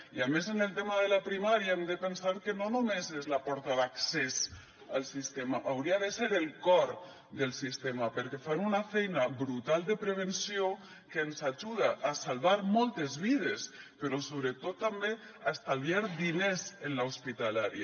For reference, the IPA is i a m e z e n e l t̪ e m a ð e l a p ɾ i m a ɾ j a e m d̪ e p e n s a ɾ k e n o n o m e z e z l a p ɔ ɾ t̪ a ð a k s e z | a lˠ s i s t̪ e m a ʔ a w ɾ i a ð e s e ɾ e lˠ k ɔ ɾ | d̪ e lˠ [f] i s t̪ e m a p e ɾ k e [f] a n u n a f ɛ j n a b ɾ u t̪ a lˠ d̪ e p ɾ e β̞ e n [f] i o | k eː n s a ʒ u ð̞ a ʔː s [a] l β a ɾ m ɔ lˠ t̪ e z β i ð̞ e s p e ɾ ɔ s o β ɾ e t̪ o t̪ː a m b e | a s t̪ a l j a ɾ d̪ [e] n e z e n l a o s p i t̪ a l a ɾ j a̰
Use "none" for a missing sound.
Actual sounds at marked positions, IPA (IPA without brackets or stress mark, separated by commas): s, f, s, a, i